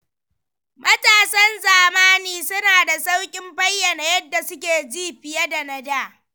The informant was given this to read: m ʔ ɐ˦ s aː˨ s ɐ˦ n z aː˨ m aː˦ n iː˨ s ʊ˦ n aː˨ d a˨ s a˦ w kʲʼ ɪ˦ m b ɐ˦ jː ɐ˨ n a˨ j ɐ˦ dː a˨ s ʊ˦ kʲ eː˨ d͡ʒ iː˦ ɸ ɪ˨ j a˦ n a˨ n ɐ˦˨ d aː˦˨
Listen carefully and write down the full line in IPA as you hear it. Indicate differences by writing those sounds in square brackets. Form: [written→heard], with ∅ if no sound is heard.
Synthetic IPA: m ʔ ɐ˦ [s→t] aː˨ s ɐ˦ n z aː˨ m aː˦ n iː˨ s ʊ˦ n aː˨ d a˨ s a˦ w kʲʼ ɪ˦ m b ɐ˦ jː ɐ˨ n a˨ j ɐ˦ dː a˨ s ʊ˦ kʲ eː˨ d͡ʒ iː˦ ɸ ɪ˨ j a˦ [n→d] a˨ n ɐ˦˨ d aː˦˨